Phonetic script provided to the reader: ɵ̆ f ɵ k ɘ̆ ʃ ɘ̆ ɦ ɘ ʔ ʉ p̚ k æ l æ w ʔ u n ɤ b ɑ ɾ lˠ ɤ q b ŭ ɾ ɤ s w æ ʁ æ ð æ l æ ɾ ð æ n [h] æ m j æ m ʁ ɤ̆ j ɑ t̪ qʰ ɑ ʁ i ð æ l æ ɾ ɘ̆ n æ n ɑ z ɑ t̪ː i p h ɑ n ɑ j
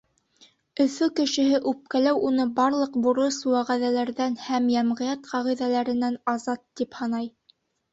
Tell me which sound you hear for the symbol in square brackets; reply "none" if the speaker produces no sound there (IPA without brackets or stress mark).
h